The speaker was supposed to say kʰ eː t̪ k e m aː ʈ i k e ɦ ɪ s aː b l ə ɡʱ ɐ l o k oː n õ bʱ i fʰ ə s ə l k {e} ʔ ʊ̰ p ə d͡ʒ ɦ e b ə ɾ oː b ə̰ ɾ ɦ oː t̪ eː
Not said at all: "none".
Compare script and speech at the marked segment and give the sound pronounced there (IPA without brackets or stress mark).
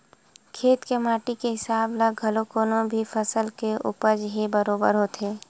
e